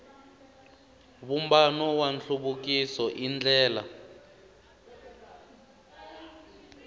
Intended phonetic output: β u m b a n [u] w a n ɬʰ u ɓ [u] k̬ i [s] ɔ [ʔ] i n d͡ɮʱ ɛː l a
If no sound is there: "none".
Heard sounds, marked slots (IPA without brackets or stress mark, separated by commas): ɔ, u, s, ʔ